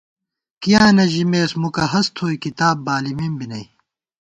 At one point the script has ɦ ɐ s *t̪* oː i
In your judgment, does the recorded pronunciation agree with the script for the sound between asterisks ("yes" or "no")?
no